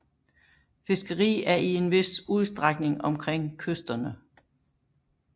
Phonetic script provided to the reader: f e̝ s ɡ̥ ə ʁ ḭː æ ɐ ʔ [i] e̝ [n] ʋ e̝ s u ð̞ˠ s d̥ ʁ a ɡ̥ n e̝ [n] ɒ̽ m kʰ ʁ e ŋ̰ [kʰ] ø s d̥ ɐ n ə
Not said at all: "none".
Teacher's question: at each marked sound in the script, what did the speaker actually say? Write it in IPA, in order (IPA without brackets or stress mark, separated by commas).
i, n, ŋ, kʰ